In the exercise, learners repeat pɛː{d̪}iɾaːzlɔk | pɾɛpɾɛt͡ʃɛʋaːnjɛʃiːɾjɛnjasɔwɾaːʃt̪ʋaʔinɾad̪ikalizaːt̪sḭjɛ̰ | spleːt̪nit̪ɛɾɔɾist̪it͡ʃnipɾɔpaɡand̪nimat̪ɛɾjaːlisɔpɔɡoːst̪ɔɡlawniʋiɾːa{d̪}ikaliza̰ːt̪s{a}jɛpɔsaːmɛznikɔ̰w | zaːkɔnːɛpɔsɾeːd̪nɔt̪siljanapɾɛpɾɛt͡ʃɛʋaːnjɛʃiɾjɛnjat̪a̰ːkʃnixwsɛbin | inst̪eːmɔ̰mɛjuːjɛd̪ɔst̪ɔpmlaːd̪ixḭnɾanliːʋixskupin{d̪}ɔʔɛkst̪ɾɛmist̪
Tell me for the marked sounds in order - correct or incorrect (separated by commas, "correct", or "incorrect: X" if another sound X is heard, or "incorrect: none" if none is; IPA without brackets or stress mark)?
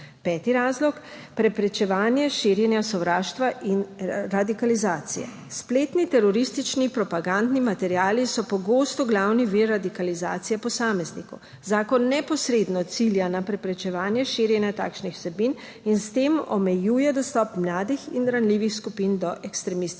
incorrect: t̪, correct, incorrect: i, correct